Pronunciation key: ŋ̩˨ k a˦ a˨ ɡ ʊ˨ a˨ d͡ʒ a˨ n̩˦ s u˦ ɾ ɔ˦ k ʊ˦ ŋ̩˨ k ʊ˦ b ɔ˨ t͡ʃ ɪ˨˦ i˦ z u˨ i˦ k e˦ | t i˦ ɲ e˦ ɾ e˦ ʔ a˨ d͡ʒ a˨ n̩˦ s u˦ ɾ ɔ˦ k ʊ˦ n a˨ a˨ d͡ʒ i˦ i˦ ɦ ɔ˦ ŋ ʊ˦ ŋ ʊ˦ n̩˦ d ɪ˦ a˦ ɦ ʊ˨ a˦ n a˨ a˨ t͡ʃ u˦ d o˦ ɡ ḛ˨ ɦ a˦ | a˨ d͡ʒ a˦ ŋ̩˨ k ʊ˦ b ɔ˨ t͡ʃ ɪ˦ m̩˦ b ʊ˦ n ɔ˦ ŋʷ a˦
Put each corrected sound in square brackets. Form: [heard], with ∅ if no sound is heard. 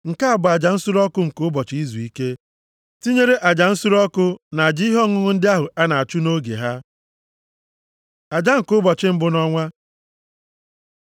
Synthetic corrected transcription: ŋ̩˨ k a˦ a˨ [b] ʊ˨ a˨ d͡ʒ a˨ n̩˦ s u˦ ɾ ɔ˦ k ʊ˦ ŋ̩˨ k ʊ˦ b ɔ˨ t͡ʃ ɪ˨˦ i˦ z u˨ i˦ k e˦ | t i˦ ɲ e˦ ɾ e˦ ʔ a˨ d͡ʒ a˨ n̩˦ s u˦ ɾ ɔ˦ k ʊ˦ n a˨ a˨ d͡ʒ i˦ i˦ ɦ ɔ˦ ŋ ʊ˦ ŋ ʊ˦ n̩˦ d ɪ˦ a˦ ɦ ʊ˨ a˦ n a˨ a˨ t͡ʃ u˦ [n] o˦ ɡ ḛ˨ ɦ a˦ | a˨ d͡ʒ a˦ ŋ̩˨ k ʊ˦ b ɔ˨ t͡ʃ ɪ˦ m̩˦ b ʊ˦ n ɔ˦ ŋʷ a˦